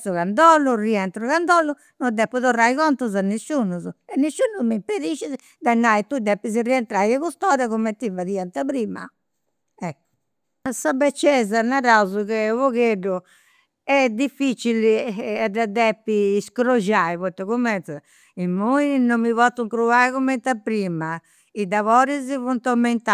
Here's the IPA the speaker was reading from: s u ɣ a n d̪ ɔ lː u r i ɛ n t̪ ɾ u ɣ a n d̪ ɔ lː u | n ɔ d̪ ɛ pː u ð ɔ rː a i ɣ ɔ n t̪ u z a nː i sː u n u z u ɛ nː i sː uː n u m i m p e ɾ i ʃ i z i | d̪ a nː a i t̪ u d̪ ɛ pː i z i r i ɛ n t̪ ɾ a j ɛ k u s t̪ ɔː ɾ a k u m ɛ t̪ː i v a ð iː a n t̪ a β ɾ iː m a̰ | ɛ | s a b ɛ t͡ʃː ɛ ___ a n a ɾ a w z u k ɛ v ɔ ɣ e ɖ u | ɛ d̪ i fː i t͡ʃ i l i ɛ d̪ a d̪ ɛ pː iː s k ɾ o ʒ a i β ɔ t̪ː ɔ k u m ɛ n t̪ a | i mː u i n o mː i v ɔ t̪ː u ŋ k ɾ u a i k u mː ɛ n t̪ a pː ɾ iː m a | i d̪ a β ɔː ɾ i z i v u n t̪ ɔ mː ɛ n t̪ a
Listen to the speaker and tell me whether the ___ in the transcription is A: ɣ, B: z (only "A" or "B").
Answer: B